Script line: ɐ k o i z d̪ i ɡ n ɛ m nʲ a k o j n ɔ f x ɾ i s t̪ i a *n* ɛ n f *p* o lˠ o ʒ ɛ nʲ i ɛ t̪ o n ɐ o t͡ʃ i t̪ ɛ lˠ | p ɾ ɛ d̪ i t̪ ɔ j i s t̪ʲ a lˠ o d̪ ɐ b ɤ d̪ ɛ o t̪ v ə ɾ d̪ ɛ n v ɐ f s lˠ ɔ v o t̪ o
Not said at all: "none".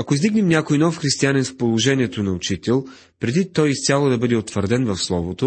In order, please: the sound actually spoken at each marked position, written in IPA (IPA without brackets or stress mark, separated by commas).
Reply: n, p